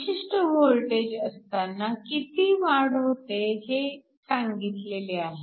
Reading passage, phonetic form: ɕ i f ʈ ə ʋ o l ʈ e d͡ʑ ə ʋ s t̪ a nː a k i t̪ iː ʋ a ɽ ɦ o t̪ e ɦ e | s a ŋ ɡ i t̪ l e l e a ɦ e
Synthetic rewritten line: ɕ i ʂ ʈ ə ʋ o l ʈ e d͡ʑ ə s t̪ a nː a k i t̪ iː ʋ a ɽ ɦ o t̪ e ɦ e | s a ŋ ɡ i t̪ l e l e a ɦ e

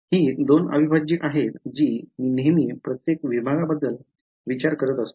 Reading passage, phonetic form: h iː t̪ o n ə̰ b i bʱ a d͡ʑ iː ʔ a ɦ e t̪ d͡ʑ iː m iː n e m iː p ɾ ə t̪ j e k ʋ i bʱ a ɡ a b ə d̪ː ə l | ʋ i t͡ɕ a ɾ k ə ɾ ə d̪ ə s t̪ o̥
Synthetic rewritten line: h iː d̪ o n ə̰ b i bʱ a d͡ʑ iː ʔ a ɦ e t̪ d͡ʑ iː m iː n e m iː p ɾ ə t̪ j e k ʋ i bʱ a ɡ a b ə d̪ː ə l | ʋ i t͡ɕ a ɾ k ə ɾ ə t̪ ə s t̪ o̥

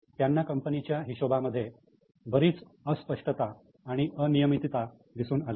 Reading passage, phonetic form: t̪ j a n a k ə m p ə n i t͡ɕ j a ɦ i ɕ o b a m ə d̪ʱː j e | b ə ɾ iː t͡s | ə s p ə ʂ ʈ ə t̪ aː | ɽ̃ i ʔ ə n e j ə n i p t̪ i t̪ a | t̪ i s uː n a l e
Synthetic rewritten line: t̪ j a nː a k ə m p ə n i t͡ɕ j a ɦ i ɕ o b a m ə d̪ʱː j e | b ə ɾ iː t͡s | ə s p ə ʂ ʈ ə t̪ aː | ɽ̃ i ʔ ə n i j ə m i t̪ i t̪ a | d̪ i s uː n a l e

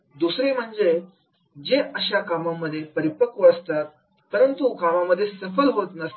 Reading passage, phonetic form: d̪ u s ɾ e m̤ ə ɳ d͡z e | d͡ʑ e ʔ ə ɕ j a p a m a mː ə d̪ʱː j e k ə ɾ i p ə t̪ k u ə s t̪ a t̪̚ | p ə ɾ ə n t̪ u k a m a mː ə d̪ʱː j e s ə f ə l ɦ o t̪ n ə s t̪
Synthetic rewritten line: d̪ u s ɾ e m̤ ə ɳ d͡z e | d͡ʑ e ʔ ə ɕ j a k a m a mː ə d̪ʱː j e p ə ɾ i p ə k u ə s t̪ a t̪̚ | p ə ɾ ə n t̪ u k a m a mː ə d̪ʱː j e s ə f ə l ɦ o t̪ n ə s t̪

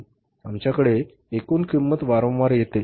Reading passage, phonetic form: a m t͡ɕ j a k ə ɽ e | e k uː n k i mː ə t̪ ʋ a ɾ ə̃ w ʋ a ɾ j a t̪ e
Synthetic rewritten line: a m t͡ɕ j a k ə ɽ e | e k uː n k i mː ə t̪ ʋ a ɾ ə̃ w ʋ a ɾ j e t̪ e

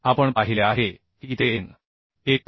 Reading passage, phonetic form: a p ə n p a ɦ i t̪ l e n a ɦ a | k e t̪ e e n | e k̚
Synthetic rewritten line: a p ə ɳ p a ɦ i l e a ɦ e | k i t̪ e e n | e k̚

